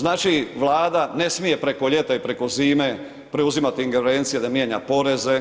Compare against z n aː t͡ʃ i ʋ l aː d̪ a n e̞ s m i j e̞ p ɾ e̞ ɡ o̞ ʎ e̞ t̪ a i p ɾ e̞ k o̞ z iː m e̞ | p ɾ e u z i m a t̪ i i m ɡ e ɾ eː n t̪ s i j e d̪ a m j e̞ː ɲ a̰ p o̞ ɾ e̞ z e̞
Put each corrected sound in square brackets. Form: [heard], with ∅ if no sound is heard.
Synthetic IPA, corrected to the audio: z n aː t͡ʃ i ʋ l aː d̪ a n e̞ s m i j e̞ p ɾ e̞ [k] o̞ ʎ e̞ t̪ a i p ɾ e̞ k o̞ z iː m e̞ | p ɾ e u z i m a t̪ i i [ŋ] ɡ e ɾ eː n t̪ s i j e d̪ a m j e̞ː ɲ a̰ p o̞ ɾ e̞ z e̞

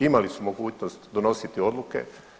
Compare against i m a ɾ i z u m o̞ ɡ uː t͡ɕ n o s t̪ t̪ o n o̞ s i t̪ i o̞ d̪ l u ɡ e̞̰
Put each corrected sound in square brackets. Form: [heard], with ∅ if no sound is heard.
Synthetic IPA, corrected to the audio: i m a [l] i [s] u m o̞ ɡ uː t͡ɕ n o s t̪ [d̪] o n o̞ s i t̪ i o̞ d̪ l u [k] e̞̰

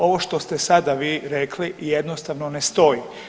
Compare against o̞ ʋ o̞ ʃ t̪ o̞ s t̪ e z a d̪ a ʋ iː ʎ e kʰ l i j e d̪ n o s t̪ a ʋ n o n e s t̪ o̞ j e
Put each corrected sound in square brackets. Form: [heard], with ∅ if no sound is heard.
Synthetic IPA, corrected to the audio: o̞ ʋ o̞ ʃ t̪ o̞ s t̪ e [s] a d̪ a ʋ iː [ɾ] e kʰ l i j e d̪ n o s t̪ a ʋ n o n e s t̪ o̞ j [i]

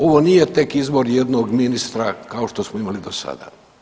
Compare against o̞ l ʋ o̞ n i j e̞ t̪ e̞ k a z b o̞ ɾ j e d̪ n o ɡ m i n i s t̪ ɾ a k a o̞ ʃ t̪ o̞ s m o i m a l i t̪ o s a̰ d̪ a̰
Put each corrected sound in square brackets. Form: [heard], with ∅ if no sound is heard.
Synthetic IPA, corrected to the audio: o̞ [∅] ʋ o̞ n i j e̞ t̪ e̞ k [i] z b o̞ ɾ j e d̪ n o ɡ m i n i s t̪ ɾ a k a o̞ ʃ t̪ o̞ s m o i m a l i [d̪] o s a̰ d̪ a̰

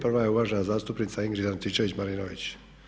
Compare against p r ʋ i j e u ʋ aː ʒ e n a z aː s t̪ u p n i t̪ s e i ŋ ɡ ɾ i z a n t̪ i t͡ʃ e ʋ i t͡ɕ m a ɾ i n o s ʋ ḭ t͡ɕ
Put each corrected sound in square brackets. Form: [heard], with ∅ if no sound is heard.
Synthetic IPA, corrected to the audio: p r ʋ [a] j e u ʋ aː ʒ e n a z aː s t̪ u p n i t̪ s [a] i ŋ ɡ ɾ i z a n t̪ i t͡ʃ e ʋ i t͡ɕ m a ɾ i n o [∅] ʋ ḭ t͡ɕ

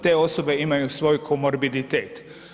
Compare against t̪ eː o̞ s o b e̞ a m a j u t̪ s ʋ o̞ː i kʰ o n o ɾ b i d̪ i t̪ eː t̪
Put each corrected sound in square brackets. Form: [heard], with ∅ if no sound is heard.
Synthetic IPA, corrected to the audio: t̪ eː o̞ s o b e̞ [i] m a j u [∅] s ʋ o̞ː [j] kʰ o [m] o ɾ b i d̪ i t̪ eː t̪

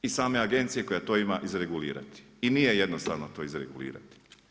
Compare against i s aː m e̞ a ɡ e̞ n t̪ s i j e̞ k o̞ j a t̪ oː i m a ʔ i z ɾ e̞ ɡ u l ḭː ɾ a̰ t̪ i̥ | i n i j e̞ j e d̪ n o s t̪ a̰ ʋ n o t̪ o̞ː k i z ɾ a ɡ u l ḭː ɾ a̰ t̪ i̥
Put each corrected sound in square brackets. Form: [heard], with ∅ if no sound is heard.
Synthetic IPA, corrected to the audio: i s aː m e̞ a ɡ e̞ n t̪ s i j e̞ k o̞ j a t̪ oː i m a ʔ i z ɾ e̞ ɡ u l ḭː ɾ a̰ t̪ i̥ | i n i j e̞ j e d̪ n o s t̪ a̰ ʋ n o t̪ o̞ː [∅] i z ɾ [e] ɡ u l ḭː ɾ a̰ t̪ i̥

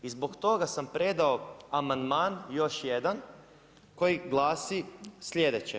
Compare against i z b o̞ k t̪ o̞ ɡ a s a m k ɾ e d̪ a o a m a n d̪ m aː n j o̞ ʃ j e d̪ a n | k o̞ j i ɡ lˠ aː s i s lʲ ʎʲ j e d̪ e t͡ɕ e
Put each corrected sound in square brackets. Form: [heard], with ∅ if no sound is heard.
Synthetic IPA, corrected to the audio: i z b o̞ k t̪ o̞ ɡ a s a m [p] ɾ e d̪ a o a m a n d̪ m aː n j o̞ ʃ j e d̪ a n | k o̞ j i ɡ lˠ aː s i s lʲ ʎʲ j e d̪ e t͡ɕ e

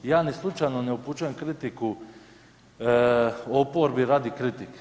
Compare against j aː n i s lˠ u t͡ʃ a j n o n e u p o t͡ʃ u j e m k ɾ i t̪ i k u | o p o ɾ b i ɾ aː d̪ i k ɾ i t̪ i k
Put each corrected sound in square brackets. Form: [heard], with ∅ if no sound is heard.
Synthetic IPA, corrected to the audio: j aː n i s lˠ u t͡ʃ a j n o n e u p [u] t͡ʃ u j e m k ɾ i t̪ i k u | o p o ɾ b i ɾ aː d̪ i k ɾ i t̪ i k

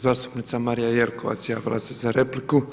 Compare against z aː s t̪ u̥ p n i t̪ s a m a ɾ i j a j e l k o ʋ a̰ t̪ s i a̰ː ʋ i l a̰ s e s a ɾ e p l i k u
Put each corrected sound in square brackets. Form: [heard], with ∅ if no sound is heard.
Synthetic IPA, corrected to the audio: z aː s t̪ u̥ p n i t̪ s a m a ɾ i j a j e l k o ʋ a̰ t̪ s [j] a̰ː ʋ i l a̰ s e [z] a ɾ e p l i k u

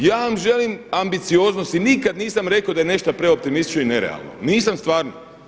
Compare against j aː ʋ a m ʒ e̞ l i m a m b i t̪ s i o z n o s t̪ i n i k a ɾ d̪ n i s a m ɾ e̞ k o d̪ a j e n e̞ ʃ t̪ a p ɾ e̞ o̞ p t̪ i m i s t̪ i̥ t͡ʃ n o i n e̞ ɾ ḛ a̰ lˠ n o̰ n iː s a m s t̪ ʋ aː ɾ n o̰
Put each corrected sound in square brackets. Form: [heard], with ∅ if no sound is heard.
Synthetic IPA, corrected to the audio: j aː ʋ a m ʒ e̞ l i m a m b i t̪ s i o z n o s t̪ i n i k a [∅] d̪ n [iː] s a m ɾ e̞ k o d̪ a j e n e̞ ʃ t̪ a p ɾ e̞ o̞ p t̪ i m i s t̪ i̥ t͡ʃ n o i n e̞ ɾ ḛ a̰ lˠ n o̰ n iː s a m s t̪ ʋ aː ɾ n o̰

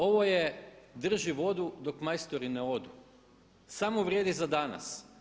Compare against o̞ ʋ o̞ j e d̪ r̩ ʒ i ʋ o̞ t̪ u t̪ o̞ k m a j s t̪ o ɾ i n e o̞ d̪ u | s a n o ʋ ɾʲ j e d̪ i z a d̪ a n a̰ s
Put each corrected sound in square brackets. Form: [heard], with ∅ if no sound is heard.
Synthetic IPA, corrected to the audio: o̞ ʋ o̞ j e d̪ r̩ ʒ i ʋ o̞ [d̪] u [d̪] o̞ k m a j s t̪ o ɾ i n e o̞ d̪ u | s a [m] o ʋ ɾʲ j e d̪ i z a d̪ a n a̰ s

